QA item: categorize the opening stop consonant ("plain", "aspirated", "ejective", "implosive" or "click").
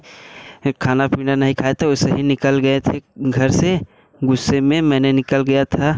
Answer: aspirated